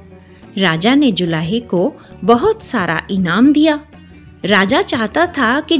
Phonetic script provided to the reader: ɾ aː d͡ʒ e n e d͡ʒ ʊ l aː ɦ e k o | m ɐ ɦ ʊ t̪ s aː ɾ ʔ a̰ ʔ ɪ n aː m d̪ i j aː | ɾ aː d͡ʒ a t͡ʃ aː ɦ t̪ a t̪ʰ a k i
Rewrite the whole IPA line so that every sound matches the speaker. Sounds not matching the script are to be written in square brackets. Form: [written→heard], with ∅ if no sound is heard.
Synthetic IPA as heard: ɾ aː d͡ʒ [e→a] n e d͡ʒ ʊ l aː ɦ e k o | [m→b] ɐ ɦ ʊ t̪ s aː ɾ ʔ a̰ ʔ ɪ n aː m d̪ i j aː | ɾ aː d͡ʒ a t͡ʃ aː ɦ t̪ a t̪ʰ a k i